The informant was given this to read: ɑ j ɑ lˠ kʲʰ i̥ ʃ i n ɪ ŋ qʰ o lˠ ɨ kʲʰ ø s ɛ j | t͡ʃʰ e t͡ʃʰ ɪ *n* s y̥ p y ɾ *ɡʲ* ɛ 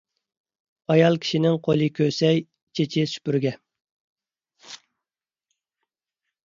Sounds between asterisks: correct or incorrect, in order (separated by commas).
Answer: incorrect, correct